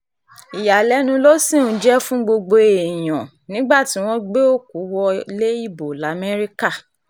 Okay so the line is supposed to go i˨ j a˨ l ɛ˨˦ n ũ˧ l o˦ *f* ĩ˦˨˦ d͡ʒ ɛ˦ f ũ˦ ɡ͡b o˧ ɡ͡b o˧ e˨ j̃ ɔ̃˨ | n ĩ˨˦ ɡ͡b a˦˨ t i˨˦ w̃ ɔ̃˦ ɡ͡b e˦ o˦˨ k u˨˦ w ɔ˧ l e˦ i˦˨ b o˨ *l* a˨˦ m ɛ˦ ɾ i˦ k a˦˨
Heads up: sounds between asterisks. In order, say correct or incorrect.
incorrect: s, correct

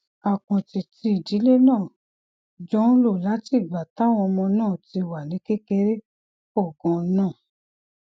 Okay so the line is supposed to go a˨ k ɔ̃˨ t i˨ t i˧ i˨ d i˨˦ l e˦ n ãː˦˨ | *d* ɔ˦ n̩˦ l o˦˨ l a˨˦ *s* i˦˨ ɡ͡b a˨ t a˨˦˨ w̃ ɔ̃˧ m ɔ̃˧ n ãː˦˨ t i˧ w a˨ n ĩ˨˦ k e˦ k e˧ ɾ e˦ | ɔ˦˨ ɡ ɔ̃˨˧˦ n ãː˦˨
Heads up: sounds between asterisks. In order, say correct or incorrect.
incorrect: d͡ʒ, incorrect: t

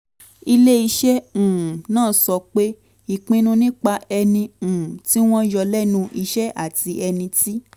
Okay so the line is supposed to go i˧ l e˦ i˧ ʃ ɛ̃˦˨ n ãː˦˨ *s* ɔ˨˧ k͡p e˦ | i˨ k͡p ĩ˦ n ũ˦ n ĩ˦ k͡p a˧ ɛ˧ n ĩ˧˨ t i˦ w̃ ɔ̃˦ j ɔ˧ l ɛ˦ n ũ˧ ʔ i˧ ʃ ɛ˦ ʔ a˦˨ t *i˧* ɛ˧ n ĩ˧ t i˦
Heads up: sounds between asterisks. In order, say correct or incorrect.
correct, correct

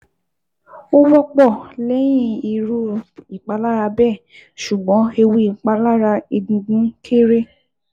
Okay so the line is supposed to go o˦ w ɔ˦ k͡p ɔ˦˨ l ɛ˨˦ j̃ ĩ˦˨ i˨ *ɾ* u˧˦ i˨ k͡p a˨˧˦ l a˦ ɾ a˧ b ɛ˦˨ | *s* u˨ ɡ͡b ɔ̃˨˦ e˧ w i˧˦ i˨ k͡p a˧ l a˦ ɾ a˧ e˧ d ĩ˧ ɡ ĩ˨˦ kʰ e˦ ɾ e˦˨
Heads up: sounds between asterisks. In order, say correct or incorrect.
correct, incorrect: ʃ

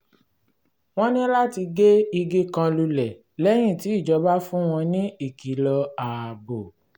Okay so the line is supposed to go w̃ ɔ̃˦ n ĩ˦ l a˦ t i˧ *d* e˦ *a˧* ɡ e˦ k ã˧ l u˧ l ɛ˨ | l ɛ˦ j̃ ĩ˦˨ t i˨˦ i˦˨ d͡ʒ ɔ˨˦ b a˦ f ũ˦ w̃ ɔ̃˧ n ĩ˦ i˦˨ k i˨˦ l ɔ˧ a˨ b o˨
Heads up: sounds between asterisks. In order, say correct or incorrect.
incorrect: ɡ, incorrect: i˧

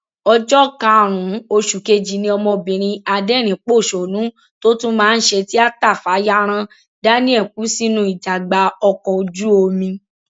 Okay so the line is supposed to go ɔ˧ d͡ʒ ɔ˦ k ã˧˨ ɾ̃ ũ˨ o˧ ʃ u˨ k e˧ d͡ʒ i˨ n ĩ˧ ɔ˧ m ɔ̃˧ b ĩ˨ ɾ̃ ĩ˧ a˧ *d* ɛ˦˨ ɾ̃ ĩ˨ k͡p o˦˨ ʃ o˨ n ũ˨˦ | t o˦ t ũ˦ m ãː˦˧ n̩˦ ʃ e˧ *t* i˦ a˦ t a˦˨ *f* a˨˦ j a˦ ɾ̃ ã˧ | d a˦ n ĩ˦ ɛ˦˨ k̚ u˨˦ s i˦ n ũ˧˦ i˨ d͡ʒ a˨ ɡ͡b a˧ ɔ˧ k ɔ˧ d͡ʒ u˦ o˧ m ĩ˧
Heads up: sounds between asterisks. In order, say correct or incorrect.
correct, correct, correct

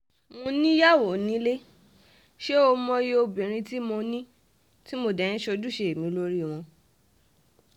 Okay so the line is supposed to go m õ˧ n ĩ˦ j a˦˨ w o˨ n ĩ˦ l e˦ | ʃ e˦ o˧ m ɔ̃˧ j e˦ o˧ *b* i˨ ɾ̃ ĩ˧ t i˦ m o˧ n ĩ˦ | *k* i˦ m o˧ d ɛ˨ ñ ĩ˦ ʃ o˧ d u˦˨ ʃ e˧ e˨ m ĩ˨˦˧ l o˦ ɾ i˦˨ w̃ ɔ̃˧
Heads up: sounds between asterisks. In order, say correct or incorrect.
correct, incorrect: t

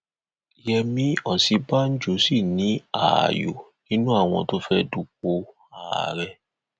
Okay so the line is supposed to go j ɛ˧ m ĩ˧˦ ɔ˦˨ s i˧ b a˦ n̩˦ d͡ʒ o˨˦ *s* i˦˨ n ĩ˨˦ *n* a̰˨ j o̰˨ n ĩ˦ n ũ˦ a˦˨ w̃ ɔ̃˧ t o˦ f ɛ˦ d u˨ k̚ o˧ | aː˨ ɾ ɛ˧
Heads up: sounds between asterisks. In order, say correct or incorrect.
correct, incorrect: none

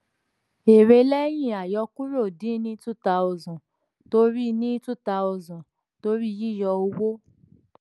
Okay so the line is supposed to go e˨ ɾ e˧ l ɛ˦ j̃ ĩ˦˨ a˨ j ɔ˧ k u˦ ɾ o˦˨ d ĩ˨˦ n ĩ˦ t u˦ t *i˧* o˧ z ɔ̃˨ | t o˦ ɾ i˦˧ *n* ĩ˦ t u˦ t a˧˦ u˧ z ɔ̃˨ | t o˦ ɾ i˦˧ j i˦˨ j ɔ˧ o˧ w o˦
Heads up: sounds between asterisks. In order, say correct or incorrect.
incorrect: a˧, correct

